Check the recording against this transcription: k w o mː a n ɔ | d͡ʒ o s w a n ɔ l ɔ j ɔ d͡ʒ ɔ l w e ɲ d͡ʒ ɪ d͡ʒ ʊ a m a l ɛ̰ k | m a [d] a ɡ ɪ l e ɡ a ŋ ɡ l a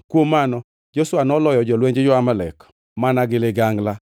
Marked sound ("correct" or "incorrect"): incorrect